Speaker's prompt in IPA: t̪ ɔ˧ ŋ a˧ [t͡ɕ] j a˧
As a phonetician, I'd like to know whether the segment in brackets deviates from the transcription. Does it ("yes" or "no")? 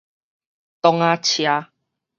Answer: yes